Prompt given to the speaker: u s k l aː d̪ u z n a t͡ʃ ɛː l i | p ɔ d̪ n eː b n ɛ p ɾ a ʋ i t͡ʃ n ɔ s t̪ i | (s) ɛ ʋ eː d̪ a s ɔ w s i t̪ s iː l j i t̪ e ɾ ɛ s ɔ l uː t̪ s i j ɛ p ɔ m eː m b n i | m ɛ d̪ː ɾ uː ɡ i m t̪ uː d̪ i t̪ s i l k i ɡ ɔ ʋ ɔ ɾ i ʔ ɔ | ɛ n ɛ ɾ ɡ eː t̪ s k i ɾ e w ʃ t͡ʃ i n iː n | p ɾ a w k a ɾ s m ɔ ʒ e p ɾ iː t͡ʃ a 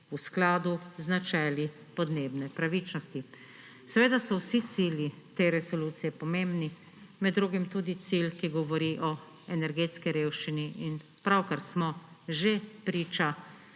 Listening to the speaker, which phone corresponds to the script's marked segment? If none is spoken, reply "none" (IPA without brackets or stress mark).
s